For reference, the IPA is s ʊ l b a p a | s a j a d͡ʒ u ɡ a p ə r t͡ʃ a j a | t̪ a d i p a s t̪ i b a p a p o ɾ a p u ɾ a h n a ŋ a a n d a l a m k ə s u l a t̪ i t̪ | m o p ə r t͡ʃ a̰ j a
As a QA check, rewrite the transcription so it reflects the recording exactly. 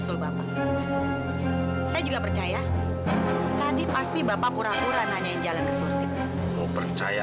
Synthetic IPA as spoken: s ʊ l b a p a | s a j a d͡ʒ u ɡ a p ə r t͡ʃ a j a | t̪ a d i p a s t̪ i b a p a p u ɾ a p u ɾ a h n a ɲ a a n d͡ʒ a l a n k ə s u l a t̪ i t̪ | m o p ə r t͡ʃ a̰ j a